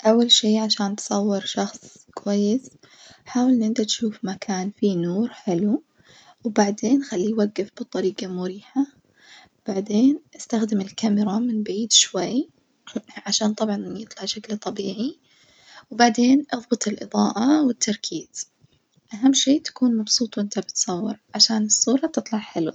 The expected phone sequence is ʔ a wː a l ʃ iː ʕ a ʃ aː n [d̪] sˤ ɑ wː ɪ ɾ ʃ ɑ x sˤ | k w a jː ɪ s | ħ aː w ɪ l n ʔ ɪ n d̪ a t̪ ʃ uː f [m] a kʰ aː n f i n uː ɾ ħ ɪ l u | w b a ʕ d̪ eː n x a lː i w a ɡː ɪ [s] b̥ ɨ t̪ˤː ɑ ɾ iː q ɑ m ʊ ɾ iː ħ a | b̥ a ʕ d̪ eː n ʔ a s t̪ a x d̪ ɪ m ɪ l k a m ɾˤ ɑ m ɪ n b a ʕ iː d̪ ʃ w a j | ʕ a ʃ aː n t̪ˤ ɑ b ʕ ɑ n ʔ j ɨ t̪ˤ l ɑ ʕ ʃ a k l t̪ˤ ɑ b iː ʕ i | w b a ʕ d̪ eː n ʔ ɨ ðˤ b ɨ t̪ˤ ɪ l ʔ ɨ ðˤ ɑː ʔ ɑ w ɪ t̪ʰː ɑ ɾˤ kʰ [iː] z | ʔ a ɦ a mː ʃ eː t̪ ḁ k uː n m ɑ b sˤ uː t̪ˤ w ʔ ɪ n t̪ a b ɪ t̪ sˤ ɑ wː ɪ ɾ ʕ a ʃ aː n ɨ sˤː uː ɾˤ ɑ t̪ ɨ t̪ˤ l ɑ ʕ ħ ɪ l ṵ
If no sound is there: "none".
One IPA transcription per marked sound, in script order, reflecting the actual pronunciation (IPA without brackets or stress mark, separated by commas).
t̪, m, f, iː